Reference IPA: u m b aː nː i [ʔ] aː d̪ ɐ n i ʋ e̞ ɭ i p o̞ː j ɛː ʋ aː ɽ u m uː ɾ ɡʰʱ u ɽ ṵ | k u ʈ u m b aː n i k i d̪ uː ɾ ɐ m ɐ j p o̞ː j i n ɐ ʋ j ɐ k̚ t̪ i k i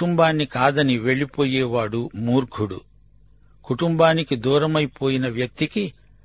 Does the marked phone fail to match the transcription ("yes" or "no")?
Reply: yes